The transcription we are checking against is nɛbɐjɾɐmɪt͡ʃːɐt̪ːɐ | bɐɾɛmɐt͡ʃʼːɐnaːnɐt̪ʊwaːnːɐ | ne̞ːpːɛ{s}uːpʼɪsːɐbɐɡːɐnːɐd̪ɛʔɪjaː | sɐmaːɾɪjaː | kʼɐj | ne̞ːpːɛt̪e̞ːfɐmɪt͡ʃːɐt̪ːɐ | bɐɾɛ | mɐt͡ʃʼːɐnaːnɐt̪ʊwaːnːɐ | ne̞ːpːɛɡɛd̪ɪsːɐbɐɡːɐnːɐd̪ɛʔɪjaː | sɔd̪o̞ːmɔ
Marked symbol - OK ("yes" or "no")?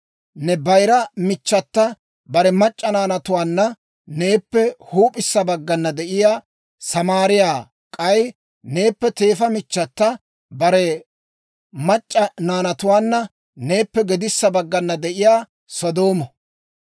no